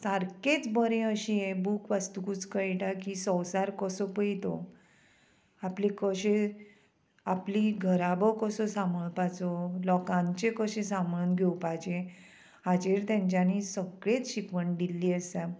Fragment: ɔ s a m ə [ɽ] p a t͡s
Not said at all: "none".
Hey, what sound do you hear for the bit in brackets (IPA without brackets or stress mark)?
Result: ɭ